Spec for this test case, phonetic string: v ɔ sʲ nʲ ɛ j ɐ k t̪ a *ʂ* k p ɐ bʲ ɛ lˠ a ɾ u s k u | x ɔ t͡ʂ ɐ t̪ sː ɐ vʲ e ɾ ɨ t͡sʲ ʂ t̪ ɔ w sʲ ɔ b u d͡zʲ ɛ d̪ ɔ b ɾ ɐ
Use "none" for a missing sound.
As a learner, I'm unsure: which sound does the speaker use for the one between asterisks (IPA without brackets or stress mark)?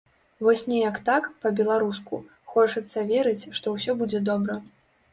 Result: none